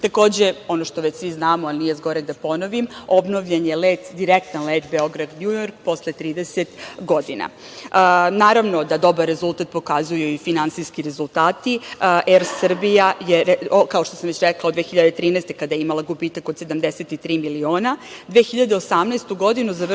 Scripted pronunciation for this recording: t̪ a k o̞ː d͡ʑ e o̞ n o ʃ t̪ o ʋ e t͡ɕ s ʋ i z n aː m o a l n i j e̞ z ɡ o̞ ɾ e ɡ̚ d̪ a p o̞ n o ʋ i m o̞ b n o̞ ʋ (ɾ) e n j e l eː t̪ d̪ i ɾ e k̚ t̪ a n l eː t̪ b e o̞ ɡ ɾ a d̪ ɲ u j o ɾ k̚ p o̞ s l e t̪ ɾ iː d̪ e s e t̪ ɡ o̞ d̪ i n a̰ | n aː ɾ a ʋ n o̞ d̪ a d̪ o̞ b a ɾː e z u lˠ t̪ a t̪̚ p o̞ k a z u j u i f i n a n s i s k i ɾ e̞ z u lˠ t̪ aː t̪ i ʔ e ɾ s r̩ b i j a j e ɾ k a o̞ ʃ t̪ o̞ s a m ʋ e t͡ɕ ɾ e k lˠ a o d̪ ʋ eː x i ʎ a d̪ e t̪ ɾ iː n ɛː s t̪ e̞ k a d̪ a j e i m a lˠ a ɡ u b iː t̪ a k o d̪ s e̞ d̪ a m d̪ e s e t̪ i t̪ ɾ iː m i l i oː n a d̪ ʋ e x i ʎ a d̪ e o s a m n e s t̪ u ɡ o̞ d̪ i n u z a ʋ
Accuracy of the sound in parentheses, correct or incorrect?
incorrect: ʎ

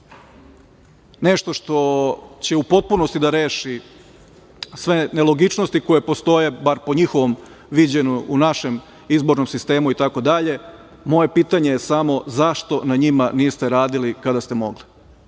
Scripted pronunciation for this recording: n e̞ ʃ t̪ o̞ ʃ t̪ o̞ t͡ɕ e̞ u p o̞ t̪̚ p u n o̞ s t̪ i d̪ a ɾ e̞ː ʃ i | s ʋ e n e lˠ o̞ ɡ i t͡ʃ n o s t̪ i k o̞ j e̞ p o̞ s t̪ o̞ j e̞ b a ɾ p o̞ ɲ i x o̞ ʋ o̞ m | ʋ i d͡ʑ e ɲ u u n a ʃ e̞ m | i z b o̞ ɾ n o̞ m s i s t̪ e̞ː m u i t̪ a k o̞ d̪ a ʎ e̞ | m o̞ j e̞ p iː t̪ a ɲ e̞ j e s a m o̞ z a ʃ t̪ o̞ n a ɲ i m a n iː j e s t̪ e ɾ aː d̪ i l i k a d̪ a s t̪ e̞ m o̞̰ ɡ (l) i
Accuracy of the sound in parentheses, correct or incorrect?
correct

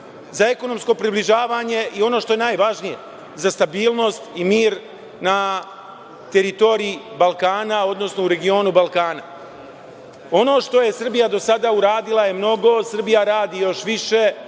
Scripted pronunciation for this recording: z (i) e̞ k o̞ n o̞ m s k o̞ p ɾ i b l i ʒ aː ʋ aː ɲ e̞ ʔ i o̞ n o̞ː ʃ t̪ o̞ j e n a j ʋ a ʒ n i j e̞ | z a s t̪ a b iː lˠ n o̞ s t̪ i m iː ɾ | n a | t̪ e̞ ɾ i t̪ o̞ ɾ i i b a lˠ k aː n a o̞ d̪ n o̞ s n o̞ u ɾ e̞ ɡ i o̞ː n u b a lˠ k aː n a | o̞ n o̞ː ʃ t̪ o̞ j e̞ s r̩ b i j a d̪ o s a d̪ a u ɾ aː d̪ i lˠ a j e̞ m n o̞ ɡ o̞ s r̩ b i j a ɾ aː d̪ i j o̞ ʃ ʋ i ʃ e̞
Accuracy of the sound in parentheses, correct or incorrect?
incorrect: a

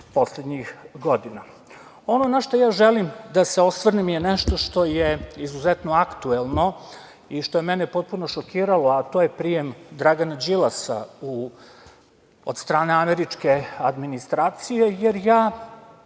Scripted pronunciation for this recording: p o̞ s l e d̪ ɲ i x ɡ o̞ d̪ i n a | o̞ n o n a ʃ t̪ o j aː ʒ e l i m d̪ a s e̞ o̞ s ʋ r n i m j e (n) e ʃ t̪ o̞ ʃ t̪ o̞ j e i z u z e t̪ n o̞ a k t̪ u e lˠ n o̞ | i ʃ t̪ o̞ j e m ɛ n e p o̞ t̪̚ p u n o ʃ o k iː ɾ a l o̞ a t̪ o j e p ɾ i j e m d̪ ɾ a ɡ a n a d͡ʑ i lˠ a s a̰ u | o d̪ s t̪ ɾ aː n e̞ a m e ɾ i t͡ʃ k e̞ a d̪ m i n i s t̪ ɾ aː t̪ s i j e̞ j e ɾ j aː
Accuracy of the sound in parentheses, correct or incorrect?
correct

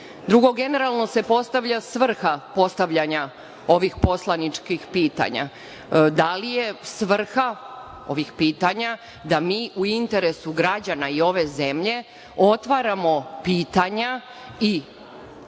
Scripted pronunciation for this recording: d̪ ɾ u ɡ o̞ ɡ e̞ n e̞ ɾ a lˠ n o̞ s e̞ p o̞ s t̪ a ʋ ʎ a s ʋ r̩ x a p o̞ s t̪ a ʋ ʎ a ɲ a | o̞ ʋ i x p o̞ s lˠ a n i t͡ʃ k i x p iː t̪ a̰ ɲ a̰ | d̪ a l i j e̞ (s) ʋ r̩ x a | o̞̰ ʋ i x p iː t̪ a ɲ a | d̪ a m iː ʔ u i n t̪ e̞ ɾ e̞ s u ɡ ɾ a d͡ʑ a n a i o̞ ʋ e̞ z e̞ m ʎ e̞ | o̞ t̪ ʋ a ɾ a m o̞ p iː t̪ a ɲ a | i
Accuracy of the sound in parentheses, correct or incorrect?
correct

